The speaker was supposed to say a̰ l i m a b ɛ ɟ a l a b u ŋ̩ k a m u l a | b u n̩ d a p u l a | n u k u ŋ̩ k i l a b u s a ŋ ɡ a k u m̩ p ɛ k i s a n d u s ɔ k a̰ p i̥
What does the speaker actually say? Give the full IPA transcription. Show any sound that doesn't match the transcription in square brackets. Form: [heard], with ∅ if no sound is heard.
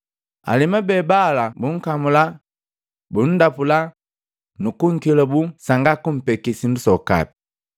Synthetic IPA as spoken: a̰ l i m a b ɛ [b] a l a b u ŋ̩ k a m u l a | b u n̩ d a p u l a | n u k u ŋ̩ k i l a b u s a ŋ ɡ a k u m̩ p ɛ k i s [i] n d u s ɔ k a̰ p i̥